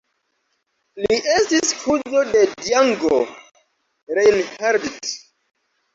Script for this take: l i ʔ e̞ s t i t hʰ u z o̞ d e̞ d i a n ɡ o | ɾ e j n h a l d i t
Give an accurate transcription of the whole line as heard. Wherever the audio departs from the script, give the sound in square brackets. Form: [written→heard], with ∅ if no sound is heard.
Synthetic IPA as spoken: l i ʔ e̞ s t i [t→s] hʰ u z o̞ d e̞ d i a [n→ŋ] ɡ o | ɾ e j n h a [l→ɾ] d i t